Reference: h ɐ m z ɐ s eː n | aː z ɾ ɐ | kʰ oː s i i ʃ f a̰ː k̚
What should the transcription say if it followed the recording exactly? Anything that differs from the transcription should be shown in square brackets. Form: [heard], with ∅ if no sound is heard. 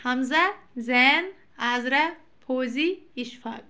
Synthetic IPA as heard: h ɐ m z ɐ [z] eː n | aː z ɾ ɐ | [pʰ] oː [z] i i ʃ f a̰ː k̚